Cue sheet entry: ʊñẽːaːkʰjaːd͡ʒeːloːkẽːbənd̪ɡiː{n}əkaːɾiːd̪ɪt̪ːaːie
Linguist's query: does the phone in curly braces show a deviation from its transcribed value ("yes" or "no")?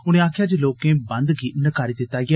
no